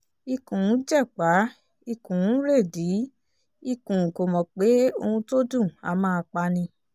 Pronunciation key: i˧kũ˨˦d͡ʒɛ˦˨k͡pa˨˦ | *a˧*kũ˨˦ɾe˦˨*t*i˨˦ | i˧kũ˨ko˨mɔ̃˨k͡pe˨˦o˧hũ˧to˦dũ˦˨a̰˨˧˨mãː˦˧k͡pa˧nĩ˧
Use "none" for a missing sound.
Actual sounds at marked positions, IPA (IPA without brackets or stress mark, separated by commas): i˧, d